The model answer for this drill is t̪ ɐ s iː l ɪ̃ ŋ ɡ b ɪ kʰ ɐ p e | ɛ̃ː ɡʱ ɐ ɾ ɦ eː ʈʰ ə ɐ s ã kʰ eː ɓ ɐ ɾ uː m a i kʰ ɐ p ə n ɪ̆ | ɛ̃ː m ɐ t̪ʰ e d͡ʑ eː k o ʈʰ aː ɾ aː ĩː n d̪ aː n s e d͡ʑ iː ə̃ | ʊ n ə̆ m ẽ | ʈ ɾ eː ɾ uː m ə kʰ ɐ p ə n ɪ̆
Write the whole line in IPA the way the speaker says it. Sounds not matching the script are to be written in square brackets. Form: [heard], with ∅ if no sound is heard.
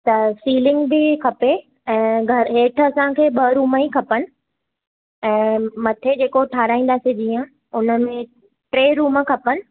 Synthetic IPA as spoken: t̪ ɐ s iː l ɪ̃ ŋ ɡ b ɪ kʰ ɐ p e | ɛ̃ː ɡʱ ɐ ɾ ɦ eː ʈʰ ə ɐ s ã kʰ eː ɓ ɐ ɾ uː m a i kʰ ɐ p ə n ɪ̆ | ɛ̃ː m ɐ t̪ʰ e d͡ʑ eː k o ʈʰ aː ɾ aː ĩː n d̪ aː [∅] s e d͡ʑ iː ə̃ | ʊ n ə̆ m ẽ | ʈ ɾ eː ɾ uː m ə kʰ ɐ p ə n ɪ̆

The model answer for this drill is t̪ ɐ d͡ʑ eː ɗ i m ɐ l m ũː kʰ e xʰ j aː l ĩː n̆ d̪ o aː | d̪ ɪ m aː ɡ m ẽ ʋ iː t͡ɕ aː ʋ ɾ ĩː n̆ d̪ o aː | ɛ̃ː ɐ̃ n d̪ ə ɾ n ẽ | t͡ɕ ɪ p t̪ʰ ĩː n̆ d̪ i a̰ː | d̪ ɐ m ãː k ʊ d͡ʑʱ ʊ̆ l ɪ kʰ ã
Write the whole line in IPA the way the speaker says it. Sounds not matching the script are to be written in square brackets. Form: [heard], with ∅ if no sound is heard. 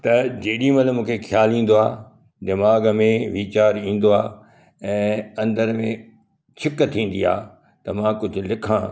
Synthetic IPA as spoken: t̪ ɐ d͡ʑ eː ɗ i m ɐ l m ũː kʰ e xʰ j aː l ĩː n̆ d̪ o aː | d̪ ɪ m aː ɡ m ẽ ʋ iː t͡ɕ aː [∅] ɾ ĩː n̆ d̪ o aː | ɛ̃ː ɐ̃ n d̪ ə ɾ [m] ẽ | [t͡ɕʰ] ɪ [k] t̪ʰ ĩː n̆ d̪ i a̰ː | [t̪] ɐ m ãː k ʊ d͡ʑʱ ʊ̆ l ɪ kʰ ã

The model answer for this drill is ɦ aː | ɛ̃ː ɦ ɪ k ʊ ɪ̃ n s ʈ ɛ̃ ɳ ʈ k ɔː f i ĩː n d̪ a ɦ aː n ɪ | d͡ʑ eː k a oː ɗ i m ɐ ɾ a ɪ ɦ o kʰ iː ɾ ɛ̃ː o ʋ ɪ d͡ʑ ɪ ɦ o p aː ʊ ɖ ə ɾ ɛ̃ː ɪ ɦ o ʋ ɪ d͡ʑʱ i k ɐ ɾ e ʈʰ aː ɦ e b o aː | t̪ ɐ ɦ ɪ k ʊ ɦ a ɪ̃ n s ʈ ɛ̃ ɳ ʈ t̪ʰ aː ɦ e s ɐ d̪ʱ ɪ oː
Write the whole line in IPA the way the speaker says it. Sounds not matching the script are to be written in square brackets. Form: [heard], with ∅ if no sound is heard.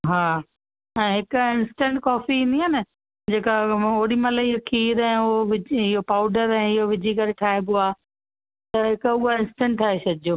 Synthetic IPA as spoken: ɦ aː | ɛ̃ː ɦ ɪ k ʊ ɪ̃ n s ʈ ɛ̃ ɳ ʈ k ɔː f i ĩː n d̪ [i] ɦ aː n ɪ | d͡ʑ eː k a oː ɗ i m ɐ [l] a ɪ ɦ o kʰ iː ɾ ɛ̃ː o ʋ ɪ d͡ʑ ɪ ɦ o p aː ʊ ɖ ə ɾ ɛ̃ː ɪ ɦ o ʋ ɪ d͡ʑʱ i k ɐ ɾ e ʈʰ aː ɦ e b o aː | t̪ ɐ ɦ ɪ k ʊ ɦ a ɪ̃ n s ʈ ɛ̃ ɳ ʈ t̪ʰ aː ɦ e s ɐ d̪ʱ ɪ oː

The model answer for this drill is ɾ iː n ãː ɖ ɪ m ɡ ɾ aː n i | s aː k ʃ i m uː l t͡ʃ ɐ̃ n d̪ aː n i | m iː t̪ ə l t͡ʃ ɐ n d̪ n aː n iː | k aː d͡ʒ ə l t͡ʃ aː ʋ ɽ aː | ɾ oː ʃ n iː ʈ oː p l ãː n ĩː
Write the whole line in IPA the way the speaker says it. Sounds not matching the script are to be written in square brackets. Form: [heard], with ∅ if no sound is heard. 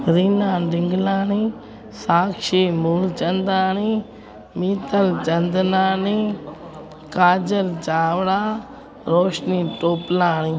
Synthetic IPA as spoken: ɾ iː n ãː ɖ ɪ [ŋ] ɡ [l] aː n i | s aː k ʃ i m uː l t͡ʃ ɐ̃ n d̪ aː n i | m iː t̪ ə l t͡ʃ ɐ n d̪ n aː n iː | k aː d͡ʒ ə l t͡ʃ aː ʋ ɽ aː | ɾ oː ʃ n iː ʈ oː p l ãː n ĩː

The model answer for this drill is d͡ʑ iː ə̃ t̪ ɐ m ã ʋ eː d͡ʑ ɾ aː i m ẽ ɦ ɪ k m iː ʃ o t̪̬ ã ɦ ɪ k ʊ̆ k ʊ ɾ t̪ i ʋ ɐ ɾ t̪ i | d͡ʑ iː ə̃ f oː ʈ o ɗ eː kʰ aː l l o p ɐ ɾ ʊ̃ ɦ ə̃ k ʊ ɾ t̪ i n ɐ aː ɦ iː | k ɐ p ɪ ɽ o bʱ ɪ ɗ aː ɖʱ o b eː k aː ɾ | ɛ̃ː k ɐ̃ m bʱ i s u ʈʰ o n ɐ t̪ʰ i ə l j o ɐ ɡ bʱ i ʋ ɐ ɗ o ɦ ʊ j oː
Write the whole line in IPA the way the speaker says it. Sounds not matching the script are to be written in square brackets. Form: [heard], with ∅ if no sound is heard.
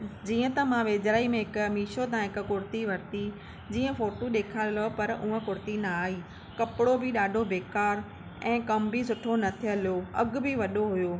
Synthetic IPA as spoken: d͡ʑ iː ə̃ t̪ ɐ m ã ʋ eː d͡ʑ ɾ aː i m ẽ ɦ ɪ k m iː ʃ o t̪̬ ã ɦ ɪ k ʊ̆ k ʊ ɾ t̪ i ʋ ɐ ɾ t̪ i | d͡ʑ iː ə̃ f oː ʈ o ɗ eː kʰ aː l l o p ɐ ɾ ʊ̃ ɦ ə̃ k ʊ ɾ t̪ i n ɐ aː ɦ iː | k ɐ p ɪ ɽ o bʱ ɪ ɗ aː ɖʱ o b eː k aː ɾ | ɛ̃ː k [ɐ] m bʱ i s [ʊ] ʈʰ o n ɐ t̪ʰ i ə l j o ɐ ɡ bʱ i ʋ ɐ ɗ o ɦ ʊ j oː

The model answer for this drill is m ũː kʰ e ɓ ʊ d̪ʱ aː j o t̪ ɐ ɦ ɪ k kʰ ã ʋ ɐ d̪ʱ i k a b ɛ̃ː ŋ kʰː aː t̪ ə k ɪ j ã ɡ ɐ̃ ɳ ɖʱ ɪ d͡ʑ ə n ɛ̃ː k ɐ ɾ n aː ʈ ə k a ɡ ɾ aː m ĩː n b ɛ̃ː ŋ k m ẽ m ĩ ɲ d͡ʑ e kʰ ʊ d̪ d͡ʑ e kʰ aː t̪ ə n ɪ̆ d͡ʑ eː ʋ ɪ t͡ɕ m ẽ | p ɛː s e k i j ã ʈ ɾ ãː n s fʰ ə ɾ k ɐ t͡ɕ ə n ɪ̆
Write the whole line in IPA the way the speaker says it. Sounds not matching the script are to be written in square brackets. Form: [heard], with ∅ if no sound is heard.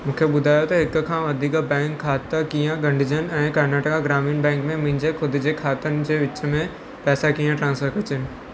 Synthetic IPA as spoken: m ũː kʰ e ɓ ʊ d̪ʱ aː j o t̪ ɐ ɦ ɪ k kʰ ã ʋ ɐ d̪ʱ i k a b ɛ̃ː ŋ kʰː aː t̪ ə k [i] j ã ɡ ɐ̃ ɳ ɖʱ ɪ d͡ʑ ə n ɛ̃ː k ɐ ɾ n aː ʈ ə k a ɡ ɾ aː m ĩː n b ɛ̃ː ŋ k m ẽ m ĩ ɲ d͡ʑ e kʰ ʊ d̪ d͡ʑ e kʰ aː t̪ ə n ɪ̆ d͡ʑ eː ʋ ɪ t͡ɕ m ẽ | p ɛː s [a] k i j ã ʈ ɾ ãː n s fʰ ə ɾ k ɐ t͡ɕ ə n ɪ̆

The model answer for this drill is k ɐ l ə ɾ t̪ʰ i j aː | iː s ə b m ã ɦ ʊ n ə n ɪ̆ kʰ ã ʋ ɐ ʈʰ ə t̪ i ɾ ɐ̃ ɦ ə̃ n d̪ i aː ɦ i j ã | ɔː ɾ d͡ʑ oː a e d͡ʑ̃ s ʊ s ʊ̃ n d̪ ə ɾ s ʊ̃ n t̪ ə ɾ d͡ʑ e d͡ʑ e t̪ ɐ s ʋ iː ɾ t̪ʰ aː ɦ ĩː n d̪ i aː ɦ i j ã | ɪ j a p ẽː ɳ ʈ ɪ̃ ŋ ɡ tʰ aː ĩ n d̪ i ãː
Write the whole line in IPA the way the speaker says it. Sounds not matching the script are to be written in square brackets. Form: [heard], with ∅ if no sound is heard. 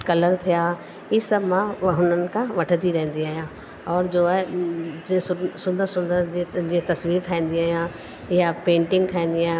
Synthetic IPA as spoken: k ɐ l ə ɾ t̪ʰ i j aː | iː s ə b m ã ɦ ʊ n ə n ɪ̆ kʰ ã ʋ ɐ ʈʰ ə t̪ i ɾ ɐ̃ ɦ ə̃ n d̪ i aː ɦ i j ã | ɔː ɾ d͡ʑ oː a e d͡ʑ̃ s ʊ s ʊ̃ n d̪ ə ɾ s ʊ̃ n [d̪] ə ɾ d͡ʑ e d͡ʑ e t̪ ɐ s ʋ iː ɾ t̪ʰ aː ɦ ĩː n d̪ i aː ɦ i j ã | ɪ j a p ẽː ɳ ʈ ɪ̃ ŋ ɡ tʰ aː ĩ n d̪ i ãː

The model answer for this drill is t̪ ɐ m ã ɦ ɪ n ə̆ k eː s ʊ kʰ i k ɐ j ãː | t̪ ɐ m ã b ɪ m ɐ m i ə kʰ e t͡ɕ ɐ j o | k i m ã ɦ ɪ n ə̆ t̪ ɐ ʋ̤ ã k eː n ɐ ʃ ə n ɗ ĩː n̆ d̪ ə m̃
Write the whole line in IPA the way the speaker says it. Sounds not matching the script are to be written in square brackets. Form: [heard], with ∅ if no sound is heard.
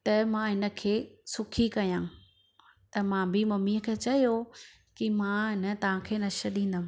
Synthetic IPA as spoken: t̪ ɐ m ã ɦ ɪ n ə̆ [kʰ] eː s ʊ kʰ i k ɐ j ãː | t̪ ɐ m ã b ɪ m ɐ m i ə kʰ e t͡ɕ ɐ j o | k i m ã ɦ ɪ n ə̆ t̪ ɐ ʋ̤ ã [kʰ] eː n ɐ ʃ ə [∅] ɗ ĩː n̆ d̪ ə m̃

